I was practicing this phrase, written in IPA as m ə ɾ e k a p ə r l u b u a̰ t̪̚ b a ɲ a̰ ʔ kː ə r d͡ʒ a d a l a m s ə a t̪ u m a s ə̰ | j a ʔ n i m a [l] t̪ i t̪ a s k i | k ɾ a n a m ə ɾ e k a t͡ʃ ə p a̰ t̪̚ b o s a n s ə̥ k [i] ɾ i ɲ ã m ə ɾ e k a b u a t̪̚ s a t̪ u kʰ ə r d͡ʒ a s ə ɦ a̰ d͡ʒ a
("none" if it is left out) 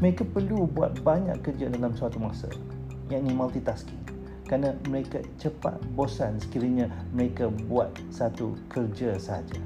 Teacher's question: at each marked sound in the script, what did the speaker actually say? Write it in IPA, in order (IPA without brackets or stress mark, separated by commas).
l, i